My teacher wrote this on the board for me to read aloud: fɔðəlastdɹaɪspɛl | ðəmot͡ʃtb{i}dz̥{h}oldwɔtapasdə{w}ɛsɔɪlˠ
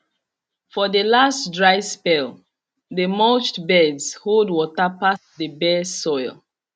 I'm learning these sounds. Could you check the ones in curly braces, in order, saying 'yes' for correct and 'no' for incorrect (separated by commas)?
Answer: no, yes, no